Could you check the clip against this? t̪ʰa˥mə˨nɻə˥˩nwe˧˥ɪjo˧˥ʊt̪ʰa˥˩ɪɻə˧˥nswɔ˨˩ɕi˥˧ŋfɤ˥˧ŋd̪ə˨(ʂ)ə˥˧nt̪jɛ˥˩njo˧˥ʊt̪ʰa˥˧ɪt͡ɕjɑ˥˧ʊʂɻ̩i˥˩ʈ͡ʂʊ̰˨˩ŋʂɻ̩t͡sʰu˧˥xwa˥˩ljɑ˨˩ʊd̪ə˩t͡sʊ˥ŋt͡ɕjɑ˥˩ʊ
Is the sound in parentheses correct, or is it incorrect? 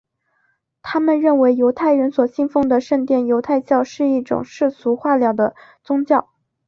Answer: correct